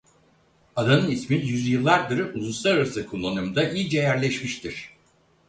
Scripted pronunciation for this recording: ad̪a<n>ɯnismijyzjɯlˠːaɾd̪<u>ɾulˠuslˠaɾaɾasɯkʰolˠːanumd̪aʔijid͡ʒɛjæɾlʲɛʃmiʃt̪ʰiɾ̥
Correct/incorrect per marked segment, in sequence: correct, incorrect: ɯ

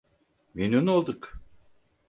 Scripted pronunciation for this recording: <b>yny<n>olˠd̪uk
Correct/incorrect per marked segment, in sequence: incorrect: m, correct

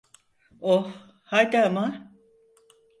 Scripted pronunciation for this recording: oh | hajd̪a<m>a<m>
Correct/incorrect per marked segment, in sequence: correct, incorrect: none

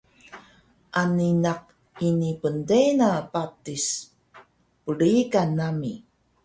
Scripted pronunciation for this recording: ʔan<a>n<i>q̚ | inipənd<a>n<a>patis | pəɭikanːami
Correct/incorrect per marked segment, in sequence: incorrect: i, incorrect: a, incorrect: e, correct

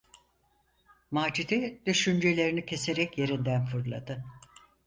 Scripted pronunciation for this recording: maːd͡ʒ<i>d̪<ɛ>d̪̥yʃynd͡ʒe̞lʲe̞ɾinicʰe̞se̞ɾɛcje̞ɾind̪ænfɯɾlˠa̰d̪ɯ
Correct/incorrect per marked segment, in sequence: correct, incorrect: i

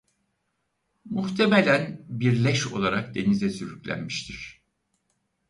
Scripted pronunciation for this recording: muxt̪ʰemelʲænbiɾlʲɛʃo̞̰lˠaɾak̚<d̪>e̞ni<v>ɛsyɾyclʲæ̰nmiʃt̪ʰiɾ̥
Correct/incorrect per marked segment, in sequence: correct, incorrect: z

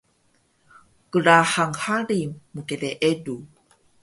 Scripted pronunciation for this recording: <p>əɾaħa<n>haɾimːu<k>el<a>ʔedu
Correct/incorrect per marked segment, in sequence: incorrect: k, incorrect: ŋ, correct, incorrect: e

